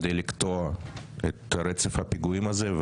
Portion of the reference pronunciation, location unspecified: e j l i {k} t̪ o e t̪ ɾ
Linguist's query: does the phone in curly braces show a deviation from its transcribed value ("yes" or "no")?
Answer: no